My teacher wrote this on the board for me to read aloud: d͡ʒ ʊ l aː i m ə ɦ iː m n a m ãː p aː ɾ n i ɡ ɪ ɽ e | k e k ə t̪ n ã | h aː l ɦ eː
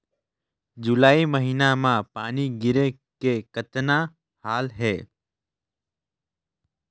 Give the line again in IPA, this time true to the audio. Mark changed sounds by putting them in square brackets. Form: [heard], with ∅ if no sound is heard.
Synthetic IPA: d͡ʒ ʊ l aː i m ə ɦ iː [∅] n a m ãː p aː [∅] n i ɡ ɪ [ɾ] e | k e k ə t̪ n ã | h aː l ɦ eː